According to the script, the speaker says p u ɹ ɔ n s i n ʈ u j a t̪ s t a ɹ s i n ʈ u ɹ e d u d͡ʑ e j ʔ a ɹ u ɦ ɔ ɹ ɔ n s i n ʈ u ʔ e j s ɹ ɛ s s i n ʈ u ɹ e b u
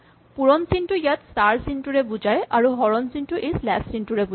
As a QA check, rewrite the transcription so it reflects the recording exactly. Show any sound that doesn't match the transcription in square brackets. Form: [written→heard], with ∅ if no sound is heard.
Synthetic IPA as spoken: p u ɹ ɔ n s i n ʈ u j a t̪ s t a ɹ s i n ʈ u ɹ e [d→b] u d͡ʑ [e→a] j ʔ a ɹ u ɦ ɔ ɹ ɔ n s i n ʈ u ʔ e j s [ɹ→l] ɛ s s i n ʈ u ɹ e b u